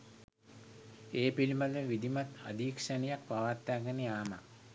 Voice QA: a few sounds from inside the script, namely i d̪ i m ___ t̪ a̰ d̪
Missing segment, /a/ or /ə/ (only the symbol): a